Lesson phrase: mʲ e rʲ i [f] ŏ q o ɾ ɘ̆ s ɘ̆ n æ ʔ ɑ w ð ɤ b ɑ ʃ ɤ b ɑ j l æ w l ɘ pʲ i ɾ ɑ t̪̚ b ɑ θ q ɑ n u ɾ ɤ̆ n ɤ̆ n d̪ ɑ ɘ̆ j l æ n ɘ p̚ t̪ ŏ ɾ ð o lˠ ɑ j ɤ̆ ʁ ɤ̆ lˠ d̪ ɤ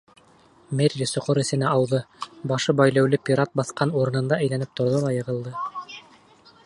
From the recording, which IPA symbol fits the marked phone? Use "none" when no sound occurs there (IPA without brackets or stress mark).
s